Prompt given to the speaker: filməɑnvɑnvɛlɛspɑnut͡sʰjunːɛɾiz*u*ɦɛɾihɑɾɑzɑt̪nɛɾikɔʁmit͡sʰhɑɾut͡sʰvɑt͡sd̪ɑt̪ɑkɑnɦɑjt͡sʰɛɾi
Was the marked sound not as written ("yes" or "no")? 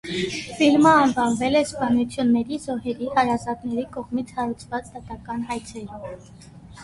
yes